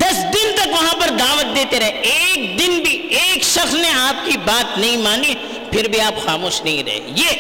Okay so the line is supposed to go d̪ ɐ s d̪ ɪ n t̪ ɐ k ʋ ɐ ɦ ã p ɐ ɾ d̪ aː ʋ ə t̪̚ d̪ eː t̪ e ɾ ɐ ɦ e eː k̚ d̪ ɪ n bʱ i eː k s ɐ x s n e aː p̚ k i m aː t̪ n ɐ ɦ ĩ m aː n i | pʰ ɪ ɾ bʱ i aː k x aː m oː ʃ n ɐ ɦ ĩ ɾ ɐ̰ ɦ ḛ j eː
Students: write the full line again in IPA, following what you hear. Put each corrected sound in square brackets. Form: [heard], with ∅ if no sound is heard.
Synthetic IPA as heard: d̪ ɐ s d̪ ɪ n t̪ ɐ k ʋ ɐ ɦ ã p ɐ ɾ d̪ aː ʋ ə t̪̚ d̪ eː t̪ e ɾ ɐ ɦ e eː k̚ d̪ ɪ n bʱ i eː k [ʃ] ɐ x s n e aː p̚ k i [b] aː t̪ n ɐ ɦ ĩ m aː n i | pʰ ɪ ɾ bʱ i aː [p] x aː m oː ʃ n ɐ ɦ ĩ ɾ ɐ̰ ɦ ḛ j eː